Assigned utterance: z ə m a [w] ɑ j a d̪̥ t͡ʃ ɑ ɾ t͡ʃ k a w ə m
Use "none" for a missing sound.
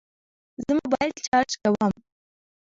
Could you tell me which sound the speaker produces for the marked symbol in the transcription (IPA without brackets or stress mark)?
b